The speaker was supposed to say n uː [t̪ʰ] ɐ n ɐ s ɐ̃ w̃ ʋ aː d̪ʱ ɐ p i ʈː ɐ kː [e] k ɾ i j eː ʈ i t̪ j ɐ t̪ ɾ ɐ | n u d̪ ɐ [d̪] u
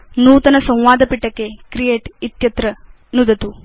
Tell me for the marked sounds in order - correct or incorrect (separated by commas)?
incorrect, correct, incorrect